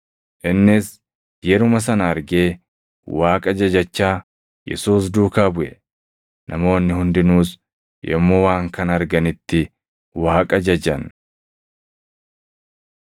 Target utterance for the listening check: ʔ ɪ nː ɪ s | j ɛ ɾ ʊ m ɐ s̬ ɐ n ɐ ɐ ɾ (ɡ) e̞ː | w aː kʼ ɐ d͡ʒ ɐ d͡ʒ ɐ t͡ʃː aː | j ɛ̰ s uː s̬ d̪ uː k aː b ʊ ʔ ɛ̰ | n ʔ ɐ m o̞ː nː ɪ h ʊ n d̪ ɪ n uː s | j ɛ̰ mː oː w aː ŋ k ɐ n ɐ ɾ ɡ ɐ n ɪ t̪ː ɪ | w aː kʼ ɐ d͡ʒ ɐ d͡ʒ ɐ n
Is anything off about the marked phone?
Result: no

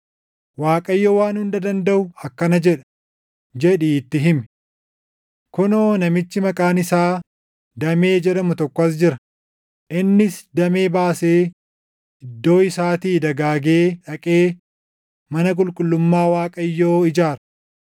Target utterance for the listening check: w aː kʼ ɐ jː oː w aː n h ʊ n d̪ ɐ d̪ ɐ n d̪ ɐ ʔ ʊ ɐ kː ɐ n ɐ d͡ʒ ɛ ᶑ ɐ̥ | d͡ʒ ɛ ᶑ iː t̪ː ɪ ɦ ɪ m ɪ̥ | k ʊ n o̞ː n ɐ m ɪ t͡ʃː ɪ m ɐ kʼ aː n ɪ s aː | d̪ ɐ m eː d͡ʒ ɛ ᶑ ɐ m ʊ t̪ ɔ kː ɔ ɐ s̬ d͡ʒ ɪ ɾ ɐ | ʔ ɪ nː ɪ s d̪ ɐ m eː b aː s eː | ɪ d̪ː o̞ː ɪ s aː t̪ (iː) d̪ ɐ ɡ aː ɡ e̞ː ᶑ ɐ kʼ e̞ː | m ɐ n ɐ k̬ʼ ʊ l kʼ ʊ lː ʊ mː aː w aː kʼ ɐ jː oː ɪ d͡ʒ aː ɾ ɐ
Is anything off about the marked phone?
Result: no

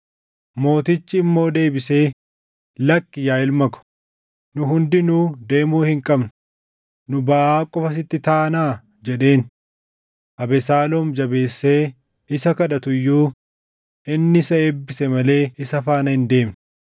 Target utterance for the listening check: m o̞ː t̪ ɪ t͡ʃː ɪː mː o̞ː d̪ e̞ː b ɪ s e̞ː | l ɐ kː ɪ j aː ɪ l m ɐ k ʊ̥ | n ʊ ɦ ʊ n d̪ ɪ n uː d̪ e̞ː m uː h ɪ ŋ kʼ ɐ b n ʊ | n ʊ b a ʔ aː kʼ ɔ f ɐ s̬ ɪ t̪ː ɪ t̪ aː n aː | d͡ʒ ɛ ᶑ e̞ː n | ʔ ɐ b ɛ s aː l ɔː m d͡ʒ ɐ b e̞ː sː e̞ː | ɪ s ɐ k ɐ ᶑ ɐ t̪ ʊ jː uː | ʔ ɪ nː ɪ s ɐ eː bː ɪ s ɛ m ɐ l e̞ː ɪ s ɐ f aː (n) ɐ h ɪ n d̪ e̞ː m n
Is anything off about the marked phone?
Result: no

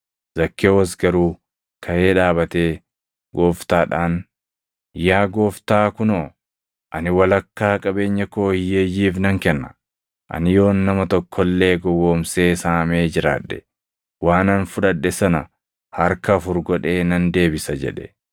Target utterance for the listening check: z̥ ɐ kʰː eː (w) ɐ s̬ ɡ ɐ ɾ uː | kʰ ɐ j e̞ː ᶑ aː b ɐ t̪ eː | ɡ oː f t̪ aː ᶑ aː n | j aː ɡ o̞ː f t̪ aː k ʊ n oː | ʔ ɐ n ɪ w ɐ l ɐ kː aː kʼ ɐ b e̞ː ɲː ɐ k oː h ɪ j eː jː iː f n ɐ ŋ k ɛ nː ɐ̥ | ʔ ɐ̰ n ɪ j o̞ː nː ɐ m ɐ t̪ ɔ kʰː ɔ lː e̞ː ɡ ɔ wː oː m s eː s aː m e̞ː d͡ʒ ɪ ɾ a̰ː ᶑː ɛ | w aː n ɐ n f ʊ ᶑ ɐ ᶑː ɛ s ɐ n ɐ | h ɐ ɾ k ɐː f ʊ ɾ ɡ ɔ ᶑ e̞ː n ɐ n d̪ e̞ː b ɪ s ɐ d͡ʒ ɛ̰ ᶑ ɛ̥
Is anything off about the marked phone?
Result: no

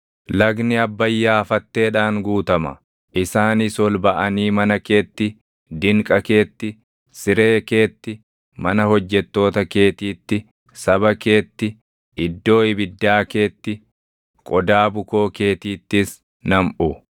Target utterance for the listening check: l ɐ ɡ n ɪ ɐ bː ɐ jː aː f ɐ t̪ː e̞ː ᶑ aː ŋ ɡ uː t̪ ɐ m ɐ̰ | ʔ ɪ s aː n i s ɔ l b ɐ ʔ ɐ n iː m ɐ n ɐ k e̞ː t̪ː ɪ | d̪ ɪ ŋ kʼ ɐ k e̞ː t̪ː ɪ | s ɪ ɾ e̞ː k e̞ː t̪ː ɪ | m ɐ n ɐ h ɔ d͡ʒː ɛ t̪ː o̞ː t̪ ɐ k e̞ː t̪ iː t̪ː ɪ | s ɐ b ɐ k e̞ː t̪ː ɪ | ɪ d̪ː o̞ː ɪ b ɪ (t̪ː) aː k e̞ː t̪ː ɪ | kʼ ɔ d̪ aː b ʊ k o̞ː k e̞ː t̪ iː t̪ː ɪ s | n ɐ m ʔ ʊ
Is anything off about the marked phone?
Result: yes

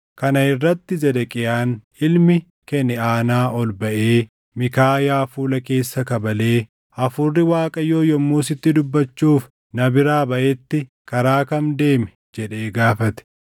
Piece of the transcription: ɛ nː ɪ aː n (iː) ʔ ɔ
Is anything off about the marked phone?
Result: yes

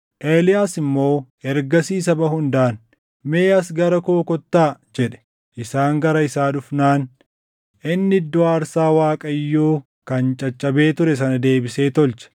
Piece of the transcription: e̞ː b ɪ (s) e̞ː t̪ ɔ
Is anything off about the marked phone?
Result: no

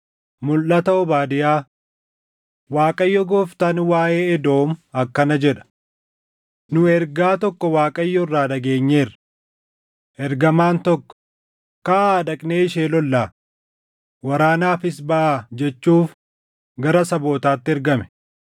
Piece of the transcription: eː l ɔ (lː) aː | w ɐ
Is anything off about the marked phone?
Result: no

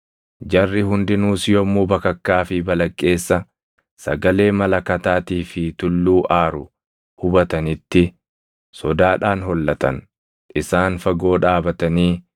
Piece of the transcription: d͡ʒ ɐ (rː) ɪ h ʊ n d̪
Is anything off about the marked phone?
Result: no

